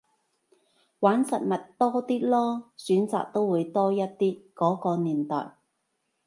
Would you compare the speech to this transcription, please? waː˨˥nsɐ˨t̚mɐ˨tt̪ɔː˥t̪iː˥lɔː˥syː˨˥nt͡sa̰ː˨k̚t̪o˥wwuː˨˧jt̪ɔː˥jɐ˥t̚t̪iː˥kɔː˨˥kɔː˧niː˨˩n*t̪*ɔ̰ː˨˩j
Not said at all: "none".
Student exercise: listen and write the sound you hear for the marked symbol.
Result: t̪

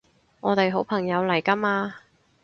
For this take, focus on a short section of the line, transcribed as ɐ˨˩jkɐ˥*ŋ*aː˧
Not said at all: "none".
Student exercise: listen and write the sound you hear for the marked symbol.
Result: m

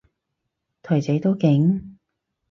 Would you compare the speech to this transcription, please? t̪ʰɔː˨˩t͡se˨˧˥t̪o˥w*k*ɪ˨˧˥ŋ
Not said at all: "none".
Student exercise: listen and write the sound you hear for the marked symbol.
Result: k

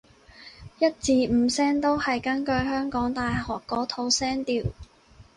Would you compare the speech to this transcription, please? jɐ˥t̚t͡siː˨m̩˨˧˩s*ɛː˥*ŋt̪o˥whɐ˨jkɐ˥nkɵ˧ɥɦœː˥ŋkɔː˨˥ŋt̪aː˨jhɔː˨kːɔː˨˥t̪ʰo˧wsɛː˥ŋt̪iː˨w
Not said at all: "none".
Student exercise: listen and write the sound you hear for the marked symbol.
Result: ɛː˥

